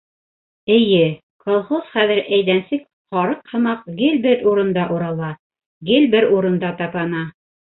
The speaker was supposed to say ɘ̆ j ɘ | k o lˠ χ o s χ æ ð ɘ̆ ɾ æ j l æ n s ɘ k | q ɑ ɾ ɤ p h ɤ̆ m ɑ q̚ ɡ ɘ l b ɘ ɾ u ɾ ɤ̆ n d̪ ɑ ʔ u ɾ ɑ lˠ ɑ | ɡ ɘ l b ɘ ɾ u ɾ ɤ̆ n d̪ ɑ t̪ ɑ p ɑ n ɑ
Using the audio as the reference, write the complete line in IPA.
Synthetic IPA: ɘ̆ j ɘ | k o lˠ χ o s χ æ ð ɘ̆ ɾ æ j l æ n s ɘ k | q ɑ ɾ ɤ q h ɤ̆ m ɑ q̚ ɡ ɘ l b ɘ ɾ u ɾ ɤ̆ n d̪ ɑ ʔ u ɾ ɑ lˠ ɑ | ɡ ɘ l b ɘ ɾ u ɾ ɤ̆ n d̪ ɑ t̪ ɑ p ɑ n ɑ